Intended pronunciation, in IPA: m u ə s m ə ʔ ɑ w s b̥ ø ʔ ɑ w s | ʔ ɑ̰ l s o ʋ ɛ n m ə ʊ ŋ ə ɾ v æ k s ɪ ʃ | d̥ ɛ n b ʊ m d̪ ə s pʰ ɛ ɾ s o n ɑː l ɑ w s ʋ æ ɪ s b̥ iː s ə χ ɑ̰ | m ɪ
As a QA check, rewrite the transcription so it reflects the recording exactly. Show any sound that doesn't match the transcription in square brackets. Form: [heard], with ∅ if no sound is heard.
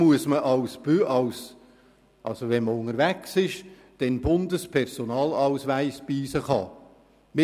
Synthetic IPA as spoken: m u ə s m ə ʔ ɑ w s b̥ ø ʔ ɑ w s | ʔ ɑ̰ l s o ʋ ɛ n m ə ʊ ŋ ə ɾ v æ k s ɪ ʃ | d̥ ɛ n b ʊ [n] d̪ ə s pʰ ɛ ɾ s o n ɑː l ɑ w s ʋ æ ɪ s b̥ iː s ə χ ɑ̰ | m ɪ